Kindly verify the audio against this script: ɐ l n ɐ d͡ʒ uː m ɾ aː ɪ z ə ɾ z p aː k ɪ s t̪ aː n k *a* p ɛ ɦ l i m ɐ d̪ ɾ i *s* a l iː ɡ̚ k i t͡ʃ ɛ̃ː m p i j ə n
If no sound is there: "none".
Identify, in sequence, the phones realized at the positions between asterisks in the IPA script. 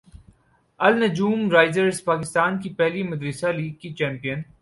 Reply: i, s

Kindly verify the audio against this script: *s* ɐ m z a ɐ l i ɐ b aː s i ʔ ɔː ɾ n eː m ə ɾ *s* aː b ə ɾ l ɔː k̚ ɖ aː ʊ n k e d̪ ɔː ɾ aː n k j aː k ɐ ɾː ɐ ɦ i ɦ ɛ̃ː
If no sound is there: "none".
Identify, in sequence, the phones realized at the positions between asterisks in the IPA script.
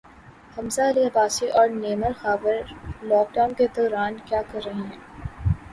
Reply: h, x

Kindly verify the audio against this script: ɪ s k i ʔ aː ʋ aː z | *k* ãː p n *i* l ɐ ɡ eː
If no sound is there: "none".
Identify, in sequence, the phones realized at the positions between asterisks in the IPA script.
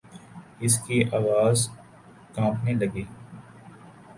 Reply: k, e

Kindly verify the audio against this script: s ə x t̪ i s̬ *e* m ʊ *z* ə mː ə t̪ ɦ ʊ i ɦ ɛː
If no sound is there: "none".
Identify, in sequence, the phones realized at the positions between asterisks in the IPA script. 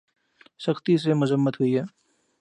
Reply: e, z

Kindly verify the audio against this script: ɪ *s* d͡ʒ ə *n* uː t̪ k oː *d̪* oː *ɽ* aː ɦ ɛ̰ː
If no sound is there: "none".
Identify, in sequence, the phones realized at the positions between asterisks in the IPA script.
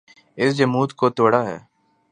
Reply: s, m, t̪, ɽ

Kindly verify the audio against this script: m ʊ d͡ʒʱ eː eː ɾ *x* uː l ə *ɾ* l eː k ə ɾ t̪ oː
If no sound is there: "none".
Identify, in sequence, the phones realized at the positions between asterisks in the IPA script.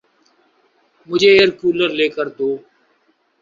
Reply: k, ɾ

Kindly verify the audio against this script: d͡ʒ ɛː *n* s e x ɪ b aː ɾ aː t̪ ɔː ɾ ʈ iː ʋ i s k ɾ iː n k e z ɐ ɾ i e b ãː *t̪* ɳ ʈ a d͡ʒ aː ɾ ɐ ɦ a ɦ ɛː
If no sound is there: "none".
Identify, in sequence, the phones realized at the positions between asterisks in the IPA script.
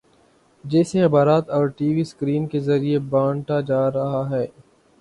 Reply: none, none

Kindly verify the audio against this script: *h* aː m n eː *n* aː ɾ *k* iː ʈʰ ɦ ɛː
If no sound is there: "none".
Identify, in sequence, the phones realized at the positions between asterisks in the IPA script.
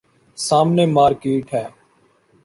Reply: s, m, k

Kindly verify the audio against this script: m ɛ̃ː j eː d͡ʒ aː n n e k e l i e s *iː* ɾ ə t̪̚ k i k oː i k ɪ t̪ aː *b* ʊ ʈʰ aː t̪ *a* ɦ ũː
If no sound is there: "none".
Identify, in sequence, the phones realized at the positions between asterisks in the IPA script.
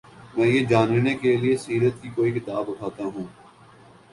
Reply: iː, b, a

